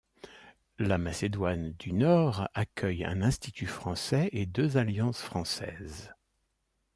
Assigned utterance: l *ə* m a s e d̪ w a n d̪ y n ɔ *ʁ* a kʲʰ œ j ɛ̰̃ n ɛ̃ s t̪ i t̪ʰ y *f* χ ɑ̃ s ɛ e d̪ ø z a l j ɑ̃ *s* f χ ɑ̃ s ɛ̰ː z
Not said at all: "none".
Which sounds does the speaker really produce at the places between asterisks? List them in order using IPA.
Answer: a, ʁ, f, s

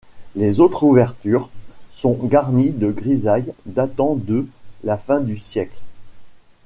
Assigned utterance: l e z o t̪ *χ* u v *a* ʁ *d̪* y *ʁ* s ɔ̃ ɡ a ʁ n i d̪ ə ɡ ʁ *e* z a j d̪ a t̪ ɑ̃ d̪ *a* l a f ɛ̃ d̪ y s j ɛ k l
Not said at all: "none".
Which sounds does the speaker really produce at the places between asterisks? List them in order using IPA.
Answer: χ, ɛ, t̪, ʁ, i, ə

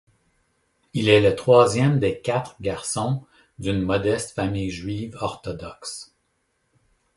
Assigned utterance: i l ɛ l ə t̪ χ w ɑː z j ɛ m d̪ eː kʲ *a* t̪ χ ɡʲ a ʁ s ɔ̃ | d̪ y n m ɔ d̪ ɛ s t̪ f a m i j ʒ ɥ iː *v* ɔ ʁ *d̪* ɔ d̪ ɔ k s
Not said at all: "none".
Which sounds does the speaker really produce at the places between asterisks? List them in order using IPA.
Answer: a, v, t̪

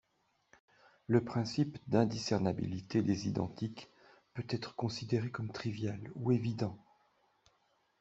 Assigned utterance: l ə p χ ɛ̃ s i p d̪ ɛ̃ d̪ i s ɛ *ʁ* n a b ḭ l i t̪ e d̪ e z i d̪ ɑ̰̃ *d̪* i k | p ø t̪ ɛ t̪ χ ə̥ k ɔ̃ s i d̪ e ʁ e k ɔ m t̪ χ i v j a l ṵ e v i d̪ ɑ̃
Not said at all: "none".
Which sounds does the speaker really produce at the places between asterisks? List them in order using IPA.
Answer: ʁ, t̪

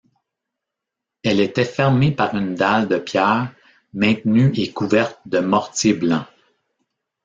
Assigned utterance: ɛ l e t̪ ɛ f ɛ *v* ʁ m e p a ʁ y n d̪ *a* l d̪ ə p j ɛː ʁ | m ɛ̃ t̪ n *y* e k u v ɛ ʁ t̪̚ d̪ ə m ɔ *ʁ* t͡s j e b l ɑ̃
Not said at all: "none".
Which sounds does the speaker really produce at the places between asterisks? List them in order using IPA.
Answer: none, a, y, ʁ

